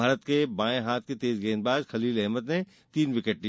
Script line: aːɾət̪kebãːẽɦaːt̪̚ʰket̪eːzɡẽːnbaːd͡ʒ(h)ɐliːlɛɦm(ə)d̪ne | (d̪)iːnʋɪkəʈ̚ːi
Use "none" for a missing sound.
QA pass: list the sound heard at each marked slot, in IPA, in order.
x, ə, t̪

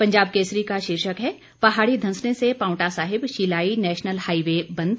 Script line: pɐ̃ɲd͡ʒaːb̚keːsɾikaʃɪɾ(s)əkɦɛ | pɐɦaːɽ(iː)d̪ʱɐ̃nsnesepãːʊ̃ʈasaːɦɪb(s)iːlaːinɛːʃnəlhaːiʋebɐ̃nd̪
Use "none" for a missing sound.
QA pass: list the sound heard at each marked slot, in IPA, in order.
ʃ, i, ʃ

